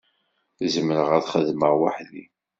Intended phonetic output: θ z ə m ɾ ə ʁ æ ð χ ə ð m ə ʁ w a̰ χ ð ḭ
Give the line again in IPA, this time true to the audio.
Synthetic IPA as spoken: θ z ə m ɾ ə ʁ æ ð χ ə ð m ə ʁ w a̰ ħ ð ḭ